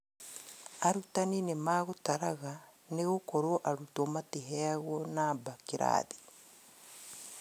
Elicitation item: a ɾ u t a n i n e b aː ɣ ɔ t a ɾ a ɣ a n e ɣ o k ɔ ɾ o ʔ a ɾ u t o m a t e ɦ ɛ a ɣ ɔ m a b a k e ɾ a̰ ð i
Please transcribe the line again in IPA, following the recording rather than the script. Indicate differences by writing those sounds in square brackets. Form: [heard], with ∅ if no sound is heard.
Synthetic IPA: a ɾ u t a n i n e [m] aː ɣ [o] t a ɾ a ɣ a n e ɣ o k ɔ ɾ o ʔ a ɾ u t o m a t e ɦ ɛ a ɣ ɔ [n] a b a k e ɾ a̰ ð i